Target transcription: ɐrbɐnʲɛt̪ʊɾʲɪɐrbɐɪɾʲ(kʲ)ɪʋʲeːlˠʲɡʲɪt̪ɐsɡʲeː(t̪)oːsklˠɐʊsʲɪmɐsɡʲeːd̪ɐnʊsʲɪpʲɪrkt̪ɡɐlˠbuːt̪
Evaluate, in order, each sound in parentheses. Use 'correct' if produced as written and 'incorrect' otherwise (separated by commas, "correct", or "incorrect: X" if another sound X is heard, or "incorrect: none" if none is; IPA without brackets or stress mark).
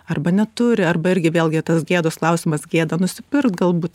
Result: incorrect: ɡʲ, incorrect: d̪